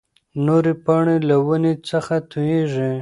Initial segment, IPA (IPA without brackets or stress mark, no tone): n